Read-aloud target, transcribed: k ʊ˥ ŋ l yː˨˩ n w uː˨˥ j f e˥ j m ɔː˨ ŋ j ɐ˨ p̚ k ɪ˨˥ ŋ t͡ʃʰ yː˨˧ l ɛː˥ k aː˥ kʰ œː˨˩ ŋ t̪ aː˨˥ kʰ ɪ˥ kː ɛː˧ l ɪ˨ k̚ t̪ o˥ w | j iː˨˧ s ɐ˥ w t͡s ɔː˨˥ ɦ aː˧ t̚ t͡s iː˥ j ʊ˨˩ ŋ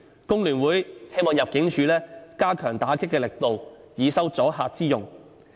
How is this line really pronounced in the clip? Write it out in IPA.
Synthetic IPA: k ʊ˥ ŋ l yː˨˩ n w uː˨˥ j h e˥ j m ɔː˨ ŋ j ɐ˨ p̚ k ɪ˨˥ ŋ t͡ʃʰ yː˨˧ l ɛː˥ k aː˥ kʰ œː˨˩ ŋ t̪ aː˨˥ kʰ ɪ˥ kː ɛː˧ l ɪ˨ k̚ t̪ o˨ w | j iː˨˧ s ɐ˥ w t͡s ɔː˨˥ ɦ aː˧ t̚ t͡s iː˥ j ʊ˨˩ ŋ